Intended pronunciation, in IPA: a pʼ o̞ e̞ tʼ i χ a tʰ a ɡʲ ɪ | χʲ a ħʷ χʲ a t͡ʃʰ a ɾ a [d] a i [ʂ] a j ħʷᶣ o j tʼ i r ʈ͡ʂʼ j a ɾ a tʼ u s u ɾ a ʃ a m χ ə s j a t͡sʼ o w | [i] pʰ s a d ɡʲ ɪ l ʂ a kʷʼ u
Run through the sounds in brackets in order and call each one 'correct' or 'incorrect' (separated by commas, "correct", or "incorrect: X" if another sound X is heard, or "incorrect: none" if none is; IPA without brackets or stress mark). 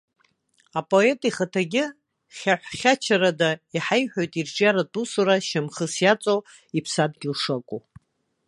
correct, incorrect: ħ, correct